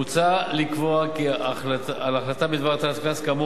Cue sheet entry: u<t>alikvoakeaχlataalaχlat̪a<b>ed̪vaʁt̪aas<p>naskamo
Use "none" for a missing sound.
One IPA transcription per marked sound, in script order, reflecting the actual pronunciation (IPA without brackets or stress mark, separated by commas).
t͡s, b, k